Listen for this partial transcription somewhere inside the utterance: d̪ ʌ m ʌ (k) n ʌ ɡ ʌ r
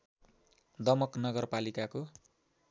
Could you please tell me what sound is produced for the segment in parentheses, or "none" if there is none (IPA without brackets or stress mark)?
k